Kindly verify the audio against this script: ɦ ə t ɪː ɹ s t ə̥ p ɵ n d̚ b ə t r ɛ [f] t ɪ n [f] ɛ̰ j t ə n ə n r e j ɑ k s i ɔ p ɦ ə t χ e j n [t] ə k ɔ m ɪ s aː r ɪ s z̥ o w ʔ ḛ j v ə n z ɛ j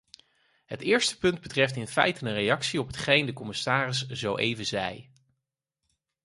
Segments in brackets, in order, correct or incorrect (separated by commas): correct, correct, incorrect